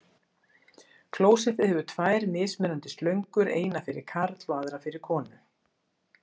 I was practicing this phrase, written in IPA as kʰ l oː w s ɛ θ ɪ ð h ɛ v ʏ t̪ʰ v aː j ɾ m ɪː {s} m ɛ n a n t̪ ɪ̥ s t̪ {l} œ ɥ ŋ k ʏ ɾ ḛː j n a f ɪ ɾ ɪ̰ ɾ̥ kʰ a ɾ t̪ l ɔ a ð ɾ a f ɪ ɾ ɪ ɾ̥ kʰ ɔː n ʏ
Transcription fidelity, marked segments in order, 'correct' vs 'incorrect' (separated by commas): correct, correct